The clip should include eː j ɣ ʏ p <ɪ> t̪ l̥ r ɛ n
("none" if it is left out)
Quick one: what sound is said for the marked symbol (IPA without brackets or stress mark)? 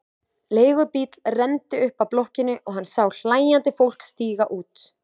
i